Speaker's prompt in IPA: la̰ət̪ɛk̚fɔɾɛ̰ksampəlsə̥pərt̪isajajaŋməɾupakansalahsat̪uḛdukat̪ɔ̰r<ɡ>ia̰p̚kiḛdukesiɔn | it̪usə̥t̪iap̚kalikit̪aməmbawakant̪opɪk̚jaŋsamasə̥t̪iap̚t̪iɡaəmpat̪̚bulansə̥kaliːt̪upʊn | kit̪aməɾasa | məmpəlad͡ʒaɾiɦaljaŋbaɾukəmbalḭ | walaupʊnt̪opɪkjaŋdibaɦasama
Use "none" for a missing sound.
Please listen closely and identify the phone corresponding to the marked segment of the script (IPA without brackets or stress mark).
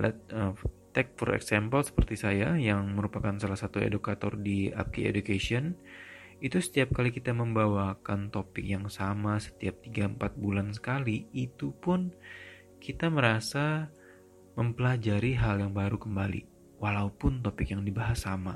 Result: d